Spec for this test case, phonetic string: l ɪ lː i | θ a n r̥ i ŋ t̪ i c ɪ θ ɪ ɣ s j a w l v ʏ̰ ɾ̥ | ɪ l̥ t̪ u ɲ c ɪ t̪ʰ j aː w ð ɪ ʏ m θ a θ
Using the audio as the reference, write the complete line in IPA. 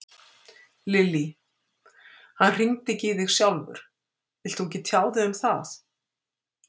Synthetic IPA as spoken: l ɪ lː i | h a n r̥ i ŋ t̪ ɪ c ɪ ð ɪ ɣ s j a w l v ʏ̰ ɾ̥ | ɪ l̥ t̪ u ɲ c ɪ t̪ʰ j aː w ð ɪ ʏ m θ a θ